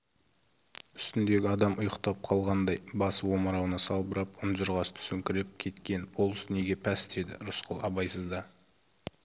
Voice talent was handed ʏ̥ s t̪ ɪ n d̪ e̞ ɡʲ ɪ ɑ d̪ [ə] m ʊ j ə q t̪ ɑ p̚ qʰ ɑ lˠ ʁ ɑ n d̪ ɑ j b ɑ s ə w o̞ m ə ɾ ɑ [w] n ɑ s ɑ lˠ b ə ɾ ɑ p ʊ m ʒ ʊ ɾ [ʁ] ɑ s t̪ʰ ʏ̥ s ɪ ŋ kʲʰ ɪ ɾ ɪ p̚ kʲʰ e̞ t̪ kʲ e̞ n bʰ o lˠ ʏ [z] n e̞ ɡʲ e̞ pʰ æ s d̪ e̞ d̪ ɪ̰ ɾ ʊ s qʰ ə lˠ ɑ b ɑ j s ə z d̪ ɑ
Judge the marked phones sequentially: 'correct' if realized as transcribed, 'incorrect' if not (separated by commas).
incorrect, correct, correct, incorrect